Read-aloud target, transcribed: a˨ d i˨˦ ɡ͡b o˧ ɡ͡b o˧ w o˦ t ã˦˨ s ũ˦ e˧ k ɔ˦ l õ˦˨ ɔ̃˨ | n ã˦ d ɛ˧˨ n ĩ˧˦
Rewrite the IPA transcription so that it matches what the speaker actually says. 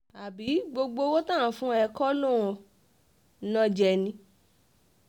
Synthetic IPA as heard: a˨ b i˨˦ ɡ͡b o˧ ɡ͡b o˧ w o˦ t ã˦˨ f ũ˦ ɛ˧ k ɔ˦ l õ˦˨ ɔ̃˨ | n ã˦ d͡ʒ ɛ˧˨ n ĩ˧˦